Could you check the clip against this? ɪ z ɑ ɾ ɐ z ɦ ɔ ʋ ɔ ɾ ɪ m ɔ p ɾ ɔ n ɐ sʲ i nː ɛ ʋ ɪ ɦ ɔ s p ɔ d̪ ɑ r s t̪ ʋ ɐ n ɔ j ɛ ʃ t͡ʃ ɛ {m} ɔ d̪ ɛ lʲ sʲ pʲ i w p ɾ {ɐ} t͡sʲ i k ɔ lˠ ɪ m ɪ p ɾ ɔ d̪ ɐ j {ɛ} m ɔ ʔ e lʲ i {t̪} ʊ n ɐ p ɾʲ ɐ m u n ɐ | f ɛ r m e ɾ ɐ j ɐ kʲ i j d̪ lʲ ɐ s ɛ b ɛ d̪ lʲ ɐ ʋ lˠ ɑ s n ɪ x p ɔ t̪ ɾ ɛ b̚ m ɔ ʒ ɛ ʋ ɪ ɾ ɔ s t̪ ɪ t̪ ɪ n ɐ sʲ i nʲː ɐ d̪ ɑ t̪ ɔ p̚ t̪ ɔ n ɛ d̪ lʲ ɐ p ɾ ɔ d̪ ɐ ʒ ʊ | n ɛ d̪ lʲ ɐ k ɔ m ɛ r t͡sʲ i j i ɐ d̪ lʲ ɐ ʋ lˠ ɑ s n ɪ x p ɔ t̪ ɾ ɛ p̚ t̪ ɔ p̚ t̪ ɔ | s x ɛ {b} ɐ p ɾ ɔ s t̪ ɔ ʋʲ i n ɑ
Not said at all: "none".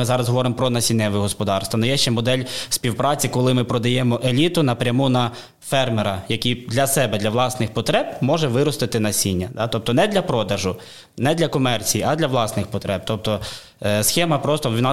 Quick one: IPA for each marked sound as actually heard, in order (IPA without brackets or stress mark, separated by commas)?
m, ɑ, ɛ, t̪, m